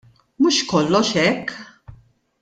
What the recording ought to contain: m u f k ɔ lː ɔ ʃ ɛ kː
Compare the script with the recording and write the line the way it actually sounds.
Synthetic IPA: m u ʃ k ɔ lː ɔ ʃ ɛ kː

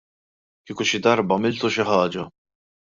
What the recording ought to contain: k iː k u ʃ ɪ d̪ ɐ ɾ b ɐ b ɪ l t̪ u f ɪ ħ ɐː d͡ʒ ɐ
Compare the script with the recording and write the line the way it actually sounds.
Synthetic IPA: k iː k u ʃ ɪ d̪ ɐ ɾ b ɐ m ɪ l t̪ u ʃ ɪ ħ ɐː d͡ʒ ɐ

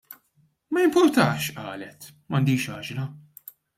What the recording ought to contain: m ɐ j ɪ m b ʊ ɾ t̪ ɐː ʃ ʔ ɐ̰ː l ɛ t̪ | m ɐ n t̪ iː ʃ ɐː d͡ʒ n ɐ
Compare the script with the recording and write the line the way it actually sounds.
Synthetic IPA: m ɐ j ɪ m p ʊ ɾ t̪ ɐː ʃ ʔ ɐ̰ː l ɛ t̪ | m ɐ n d̪ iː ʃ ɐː d͡ʒ n ɐ

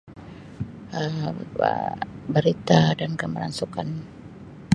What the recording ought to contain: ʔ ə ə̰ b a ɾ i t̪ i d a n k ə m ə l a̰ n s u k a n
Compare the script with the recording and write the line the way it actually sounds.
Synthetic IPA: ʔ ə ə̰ b ə ɾ i t̪ a d a n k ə m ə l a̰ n s u k a n

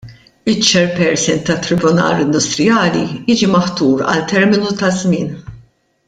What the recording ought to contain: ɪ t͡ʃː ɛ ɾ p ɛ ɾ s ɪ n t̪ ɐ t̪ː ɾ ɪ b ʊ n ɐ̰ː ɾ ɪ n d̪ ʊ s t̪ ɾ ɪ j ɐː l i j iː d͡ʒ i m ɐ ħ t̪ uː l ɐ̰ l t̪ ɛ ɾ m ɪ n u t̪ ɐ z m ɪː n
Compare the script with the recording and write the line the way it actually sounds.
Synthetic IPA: ɪ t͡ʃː ɛ ɾ p ɛ ɾ s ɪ n t̪ ɐ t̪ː ɾ ɪ b ʊ n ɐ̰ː ɾ ɪ n d̪ ʊ s t̪ ɾ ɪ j ɐː l i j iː d͡ʒ i m ɐ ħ t̪ uː ɾ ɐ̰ l t̪ ɛ ɾ m ɪ n u t̪ ɐ z m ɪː n

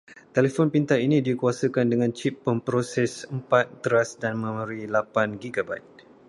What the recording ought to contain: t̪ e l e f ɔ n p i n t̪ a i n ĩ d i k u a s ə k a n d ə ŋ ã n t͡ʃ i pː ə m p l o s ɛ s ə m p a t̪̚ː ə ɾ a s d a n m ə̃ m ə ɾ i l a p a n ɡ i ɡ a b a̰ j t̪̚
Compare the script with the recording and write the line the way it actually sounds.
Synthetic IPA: t̪ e l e f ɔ n p i n t̪ a i n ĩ d i k u a s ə k a n d ə ŋ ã n t͡ʃ i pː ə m p ɾ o s ɛ s ə m p a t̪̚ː ə ɾ a s d a n m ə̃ m ə ɾ i l a p a n ɡ i ɡ a b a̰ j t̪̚

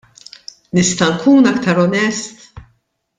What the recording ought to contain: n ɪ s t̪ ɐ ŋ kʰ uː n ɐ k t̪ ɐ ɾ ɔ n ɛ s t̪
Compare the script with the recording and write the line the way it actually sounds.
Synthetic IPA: n ɪ s t̪ ɐ ŋ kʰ uː n ɐ k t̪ ɐ ɾ ɔ n ɛ s t̪

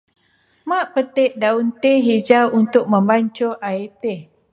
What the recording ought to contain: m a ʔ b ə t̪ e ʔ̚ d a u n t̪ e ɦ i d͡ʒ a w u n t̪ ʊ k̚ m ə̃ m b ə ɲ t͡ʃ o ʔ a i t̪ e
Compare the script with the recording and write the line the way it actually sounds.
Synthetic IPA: m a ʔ p ə t̪ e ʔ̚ d a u n t̪ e ɦ i d͡ʒ a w u n t̪ ʊ k̚ m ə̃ m b a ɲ t͡ʃ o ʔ a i t̪ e

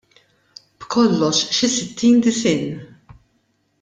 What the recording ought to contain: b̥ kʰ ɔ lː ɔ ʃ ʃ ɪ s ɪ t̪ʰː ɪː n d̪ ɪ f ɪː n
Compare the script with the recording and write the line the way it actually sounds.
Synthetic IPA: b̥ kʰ ɔ lː ɔ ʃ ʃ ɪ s ɪ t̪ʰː iː n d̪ ɪ s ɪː n

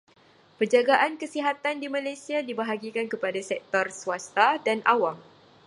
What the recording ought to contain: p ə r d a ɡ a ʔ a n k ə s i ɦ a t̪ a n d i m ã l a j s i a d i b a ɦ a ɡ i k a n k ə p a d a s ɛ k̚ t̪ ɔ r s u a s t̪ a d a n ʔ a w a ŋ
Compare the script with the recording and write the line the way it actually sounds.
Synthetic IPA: p ə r d͡ʒ a ɡ a ʔ a n k ə s i ɦ a t̪ a n d i m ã l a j s i a d i b a ɦ a ɡ i k a n k ə p a d a s ɛ k̚ t̪ ɔ r s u a s t̪ a d a n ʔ a w a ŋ

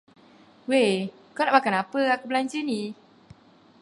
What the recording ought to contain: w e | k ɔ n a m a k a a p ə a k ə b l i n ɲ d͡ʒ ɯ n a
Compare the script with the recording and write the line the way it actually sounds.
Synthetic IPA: w e | k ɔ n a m a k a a p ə a k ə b l a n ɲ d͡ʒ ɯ n i

